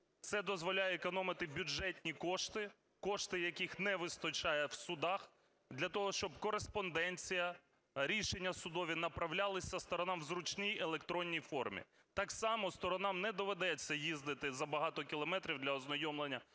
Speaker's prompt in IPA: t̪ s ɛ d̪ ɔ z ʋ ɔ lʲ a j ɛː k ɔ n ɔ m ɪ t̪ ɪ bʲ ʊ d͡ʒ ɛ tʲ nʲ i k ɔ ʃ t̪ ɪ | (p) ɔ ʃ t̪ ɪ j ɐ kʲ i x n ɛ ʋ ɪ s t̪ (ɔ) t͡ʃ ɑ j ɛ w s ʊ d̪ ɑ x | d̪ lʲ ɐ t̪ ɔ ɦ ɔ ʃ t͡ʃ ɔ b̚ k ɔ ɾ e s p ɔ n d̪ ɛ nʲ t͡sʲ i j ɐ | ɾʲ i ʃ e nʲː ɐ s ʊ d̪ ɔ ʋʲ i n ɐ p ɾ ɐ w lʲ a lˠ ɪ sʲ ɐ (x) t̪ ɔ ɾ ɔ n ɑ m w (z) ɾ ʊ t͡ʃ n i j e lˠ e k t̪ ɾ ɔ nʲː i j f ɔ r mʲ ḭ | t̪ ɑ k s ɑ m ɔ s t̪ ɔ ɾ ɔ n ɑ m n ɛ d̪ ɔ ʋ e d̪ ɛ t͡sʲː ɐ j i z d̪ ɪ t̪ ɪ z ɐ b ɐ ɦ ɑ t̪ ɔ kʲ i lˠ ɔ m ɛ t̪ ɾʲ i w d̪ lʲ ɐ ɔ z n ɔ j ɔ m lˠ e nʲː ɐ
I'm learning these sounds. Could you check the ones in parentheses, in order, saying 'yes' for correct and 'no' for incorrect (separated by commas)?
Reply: no, yes, no, yes